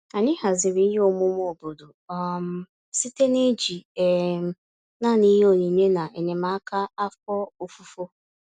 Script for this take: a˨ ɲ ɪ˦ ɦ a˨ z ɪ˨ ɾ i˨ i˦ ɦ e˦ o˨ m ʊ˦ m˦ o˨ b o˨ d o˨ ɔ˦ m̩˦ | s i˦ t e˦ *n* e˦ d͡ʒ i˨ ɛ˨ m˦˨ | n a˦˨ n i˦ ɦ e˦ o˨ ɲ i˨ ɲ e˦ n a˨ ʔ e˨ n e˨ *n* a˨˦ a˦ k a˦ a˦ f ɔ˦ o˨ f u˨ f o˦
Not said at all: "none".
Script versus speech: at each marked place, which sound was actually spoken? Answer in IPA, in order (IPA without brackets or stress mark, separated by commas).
n, m